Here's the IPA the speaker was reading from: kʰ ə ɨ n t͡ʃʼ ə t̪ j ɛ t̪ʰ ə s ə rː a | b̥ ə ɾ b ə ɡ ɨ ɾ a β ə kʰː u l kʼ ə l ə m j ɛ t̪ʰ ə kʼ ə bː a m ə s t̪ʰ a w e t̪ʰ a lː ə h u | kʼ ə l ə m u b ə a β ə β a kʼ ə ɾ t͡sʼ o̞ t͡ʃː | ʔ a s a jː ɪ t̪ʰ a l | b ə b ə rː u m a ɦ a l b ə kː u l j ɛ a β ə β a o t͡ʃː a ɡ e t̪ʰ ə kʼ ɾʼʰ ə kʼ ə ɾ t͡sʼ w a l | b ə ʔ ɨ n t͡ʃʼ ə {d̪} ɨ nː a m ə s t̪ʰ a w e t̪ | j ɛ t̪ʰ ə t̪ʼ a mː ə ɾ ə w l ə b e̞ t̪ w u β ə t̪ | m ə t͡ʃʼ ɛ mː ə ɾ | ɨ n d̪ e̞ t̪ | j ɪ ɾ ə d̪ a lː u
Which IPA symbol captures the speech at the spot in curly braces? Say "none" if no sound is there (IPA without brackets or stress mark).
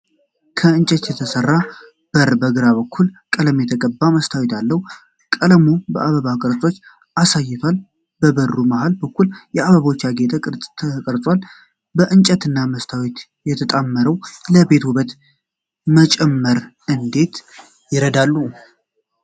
t̪